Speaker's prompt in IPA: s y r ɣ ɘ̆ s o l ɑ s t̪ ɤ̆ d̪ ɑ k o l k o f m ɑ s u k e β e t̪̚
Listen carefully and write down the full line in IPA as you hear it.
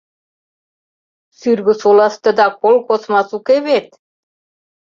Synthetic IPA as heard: s y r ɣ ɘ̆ s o l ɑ s t̪ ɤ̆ d̪ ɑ k o l k o s m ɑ s u k e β e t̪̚